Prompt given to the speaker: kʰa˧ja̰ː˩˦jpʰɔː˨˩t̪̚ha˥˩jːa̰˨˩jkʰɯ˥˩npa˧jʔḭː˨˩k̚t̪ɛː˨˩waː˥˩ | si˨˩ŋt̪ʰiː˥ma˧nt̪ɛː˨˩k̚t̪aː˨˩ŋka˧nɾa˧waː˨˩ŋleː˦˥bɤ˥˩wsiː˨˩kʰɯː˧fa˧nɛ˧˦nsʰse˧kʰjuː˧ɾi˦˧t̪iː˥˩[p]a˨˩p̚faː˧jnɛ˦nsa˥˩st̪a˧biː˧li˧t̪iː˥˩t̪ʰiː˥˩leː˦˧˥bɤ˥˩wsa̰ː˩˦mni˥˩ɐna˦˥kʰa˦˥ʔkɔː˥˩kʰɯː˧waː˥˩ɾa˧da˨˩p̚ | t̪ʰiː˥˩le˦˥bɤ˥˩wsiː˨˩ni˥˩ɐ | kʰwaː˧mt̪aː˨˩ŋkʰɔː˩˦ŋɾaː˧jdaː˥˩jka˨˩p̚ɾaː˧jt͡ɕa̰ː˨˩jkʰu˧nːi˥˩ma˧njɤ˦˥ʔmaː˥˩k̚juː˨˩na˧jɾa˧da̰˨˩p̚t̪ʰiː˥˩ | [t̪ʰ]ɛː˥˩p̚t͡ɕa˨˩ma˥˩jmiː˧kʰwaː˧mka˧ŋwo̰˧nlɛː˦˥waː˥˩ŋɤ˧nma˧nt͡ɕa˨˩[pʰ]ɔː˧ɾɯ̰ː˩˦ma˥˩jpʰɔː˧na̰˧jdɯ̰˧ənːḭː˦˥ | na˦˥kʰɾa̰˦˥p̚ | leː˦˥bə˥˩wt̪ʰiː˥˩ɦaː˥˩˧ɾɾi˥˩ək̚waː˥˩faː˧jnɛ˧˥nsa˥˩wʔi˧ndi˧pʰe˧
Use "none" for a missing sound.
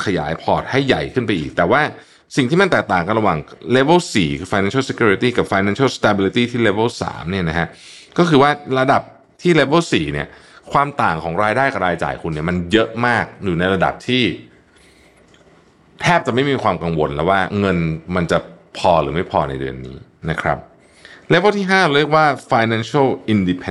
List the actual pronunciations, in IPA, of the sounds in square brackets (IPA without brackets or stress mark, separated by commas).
k, t̪ʰ, pʰ